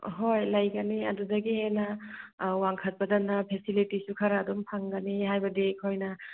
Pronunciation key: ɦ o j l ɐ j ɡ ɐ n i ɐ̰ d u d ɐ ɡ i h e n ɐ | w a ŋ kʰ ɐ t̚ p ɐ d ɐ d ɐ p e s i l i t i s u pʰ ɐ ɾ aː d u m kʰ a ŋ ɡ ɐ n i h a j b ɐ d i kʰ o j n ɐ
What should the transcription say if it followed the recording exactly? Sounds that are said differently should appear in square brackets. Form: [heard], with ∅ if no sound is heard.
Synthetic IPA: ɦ o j l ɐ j ɡ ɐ n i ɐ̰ d u d ɐ ɡ i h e n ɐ | w a ŋ kʰ ɐ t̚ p ɐ d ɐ [n] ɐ [pʰ] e s i l i t i s u [kʰ] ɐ ɾ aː d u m [pʰ] a ŋ ɡ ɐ n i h a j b ɐ d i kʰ o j n ɐ